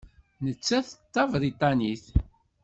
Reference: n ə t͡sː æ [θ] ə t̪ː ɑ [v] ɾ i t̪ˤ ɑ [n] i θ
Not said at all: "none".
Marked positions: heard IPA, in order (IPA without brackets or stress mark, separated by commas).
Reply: θ, v, n